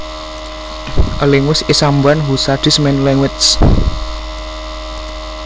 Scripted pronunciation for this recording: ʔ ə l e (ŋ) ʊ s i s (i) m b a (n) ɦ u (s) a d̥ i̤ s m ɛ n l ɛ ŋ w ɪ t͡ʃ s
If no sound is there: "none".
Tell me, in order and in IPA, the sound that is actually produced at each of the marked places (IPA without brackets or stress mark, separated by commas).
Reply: ŋ, a, n, s